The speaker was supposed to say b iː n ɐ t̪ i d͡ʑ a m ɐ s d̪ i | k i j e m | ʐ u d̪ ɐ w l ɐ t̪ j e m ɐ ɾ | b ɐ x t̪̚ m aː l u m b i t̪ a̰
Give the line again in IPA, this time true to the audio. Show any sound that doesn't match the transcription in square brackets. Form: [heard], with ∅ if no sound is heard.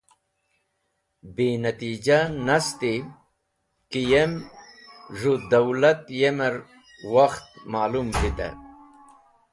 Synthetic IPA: b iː n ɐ t̪ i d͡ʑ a [n] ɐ s [t̪] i | k i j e m | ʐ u d̪ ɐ w l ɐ t̪ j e m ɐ ɾ | [w] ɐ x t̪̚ m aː l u m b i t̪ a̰